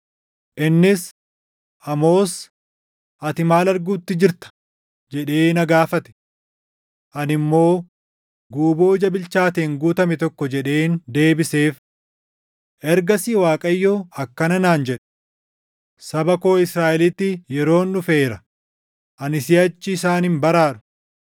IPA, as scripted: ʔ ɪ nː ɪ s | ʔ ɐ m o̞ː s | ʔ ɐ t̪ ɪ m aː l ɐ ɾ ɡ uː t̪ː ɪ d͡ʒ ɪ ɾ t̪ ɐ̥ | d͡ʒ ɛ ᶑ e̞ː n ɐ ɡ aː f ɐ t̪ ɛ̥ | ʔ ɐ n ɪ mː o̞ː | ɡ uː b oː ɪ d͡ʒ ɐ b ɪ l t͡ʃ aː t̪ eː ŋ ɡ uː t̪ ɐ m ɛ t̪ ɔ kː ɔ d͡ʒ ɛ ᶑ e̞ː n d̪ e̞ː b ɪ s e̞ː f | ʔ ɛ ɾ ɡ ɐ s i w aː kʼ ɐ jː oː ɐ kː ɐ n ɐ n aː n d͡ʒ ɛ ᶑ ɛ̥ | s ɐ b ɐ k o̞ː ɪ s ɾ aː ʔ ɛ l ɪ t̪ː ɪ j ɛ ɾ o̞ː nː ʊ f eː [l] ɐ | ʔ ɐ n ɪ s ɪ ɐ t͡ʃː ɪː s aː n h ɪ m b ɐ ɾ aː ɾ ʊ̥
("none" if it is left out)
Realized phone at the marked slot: ɾ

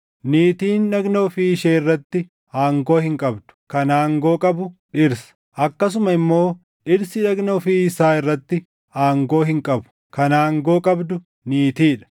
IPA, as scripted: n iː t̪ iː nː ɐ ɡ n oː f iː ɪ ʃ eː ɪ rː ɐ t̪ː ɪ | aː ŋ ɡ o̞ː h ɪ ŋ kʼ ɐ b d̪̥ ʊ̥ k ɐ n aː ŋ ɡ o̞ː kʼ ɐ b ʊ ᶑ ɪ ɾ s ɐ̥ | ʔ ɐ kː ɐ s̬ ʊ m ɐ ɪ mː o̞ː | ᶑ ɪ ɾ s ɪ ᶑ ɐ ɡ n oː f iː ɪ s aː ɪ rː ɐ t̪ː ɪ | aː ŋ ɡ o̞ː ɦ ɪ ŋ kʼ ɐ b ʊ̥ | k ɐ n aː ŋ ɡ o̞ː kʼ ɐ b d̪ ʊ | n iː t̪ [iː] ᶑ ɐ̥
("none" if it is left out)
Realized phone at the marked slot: iː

